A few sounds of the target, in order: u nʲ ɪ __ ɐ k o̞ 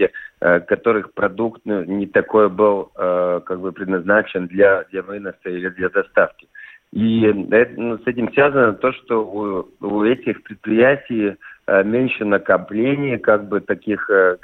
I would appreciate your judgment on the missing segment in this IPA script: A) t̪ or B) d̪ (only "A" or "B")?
A